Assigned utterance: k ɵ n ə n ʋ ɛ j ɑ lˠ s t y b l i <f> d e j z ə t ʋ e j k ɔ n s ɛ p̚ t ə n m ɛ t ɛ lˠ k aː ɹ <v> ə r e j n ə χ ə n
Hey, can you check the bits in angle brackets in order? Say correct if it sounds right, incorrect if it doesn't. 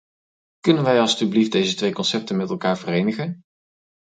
correct, correct

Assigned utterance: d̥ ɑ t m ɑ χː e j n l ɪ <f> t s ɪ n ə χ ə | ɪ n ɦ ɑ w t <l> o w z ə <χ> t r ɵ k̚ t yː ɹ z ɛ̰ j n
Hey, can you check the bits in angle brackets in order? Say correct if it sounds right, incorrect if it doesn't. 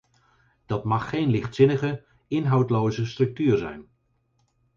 incorrect: χ, correct, incorrect: s

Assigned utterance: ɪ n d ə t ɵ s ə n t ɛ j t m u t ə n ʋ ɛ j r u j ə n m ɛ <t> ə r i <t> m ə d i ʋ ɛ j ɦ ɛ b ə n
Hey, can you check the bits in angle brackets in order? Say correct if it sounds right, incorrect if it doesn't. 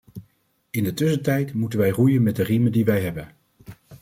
incorrect: d, incorrect: none

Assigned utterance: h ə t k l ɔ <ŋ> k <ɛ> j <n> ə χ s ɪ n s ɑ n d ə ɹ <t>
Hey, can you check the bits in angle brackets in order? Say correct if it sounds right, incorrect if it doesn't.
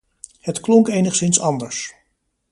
correct, incorrect: e, correct, incorrect: s

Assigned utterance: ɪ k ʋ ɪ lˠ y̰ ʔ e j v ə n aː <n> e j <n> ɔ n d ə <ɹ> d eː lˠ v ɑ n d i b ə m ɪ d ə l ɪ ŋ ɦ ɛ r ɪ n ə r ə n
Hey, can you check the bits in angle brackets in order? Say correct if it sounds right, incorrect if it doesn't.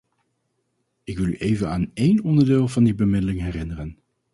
correct, correct, correct

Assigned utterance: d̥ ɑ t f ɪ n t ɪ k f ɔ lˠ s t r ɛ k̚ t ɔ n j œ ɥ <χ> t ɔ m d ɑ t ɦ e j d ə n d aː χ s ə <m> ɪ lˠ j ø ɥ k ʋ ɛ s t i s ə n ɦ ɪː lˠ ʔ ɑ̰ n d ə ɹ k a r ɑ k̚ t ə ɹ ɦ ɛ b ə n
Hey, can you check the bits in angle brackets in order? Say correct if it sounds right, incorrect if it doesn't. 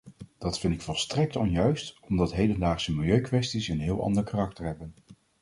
incorrect: s, correct

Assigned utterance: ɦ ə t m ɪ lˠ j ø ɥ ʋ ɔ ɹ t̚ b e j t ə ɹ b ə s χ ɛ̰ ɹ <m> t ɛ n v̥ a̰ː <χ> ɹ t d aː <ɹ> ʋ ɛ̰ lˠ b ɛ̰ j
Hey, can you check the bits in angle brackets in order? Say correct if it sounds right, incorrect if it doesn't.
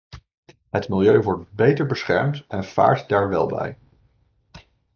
correct, incorrect: none, correct

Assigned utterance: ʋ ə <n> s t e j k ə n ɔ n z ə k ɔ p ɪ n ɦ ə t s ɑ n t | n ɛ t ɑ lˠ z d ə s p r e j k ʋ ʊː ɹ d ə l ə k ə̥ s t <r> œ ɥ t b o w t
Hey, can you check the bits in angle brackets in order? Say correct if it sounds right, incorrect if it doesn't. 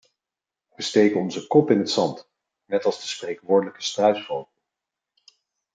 incorrect: none, correct

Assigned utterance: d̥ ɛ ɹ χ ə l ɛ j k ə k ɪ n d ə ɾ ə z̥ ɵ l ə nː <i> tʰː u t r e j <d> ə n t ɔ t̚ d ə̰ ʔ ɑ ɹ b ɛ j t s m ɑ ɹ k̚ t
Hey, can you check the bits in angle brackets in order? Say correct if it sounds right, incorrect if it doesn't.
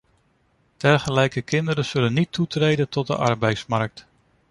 correct, correct

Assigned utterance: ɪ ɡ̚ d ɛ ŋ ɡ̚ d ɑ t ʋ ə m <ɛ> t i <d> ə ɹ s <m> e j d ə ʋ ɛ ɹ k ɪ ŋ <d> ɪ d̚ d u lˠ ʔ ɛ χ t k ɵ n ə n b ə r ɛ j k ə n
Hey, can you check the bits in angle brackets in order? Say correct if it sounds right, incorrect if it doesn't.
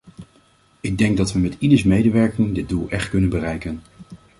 correct, correct, correct, correct

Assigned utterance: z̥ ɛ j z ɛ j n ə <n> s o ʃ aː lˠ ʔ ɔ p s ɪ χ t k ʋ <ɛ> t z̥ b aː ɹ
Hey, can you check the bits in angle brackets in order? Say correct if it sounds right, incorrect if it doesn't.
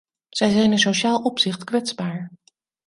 correct, correct

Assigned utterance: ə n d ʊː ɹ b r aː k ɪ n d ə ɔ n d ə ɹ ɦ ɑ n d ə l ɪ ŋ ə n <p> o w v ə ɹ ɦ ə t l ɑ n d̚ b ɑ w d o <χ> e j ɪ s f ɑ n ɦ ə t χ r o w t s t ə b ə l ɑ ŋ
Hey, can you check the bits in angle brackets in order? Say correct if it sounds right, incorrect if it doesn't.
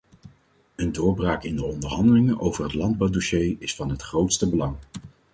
incorrect: ʔ, incorrect: ʃ

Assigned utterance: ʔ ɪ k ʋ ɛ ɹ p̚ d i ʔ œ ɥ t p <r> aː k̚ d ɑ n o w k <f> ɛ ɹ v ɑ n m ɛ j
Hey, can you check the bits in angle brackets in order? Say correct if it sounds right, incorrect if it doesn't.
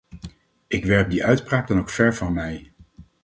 correct, correct

